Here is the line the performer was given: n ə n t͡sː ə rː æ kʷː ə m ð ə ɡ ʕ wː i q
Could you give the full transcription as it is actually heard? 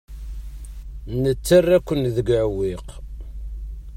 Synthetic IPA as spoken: n ə t͡sː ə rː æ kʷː ə n ð ə ɡ ʕ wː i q